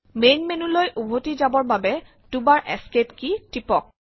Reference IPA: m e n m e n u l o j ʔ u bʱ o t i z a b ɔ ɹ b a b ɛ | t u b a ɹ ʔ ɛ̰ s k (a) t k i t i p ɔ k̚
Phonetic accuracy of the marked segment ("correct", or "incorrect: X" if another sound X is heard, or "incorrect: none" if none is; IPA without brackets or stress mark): incorrect: e